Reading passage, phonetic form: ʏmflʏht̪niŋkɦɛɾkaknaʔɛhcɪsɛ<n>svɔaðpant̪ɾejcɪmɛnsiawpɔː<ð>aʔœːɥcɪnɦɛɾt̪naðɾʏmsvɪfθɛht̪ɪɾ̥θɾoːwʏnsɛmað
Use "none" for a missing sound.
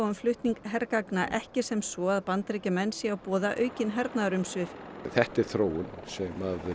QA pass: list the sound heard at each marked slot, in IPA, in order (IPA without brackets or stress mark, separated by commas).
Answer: m, ð